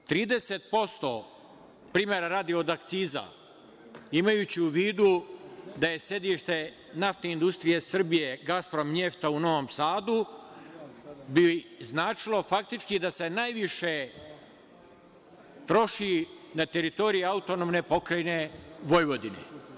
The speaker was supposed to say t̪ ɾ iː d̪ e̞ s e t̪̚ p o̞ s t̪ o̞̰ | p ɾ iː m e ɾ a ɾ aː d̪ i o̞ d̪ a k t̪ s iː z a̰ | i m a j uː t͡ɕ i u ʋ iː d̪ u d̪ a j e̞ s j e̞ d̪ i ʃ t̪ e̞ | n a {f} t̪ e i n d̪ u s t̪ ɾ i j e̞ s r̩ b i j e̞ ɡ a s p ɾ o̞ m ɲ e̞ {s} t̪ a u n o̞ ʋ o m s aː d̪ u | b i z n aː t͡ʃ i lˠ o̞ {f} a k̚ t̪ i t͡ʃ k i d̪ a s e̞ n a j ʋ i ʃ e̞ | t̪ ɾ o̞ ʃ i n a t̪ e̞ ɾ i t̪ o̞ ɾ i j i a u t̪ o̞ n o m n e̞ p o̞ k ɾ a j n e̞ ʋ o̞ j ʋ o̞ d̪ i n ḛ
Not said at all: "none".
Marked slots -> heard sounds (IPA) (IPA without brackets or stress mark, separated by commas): f, f, f